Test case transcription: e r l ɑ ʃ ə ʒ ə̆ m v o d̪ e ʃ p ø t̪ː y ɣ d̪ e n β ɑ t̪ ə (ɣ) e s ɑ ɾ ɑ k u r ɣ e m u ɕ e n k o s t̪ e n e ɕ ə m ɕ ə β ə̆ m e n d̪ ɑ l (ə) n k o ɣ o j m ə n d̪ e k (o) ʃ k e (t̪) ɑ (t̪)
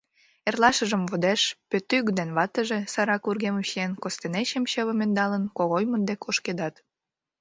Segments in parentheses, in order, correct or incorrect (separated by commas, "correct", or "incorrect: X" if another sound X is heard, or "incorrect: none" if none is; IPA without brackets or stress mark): incorrect: ʒ, correct, correct, incorrect: d̪, correct